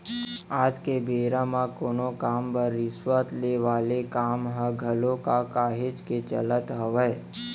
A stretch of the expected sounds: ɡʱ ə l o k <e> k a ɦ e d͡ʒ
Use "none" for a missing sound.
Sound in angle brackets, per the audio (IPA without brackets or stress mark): a